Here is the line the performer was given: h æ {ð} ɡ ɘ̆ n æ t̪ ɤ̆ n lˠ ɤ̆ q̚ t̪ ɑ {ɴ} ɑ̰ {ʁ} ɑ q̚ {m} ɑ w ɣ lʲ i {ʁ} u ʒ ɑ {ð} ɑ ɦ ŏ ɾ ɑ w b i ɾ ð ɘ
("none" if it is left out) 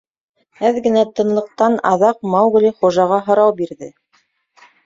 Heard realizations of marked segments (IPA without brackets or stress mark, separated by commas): ð, n, ð, m, χ, ʁ